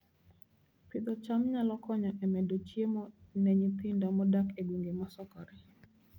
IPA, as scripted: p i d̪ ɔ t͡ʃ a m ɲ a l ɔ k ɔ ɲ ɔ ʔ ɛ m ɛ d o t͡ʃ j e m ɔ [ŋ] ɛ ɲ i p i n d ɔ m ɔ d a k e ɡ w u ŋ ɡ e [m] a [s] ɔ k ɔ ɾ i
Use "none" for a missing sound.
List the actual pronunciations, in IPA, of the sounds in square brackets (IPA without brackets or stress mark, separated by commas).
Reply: n, m, s